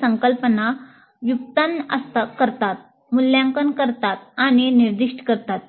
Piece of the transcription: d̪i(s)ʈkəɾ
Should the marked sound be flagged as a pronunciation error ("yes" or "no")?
yes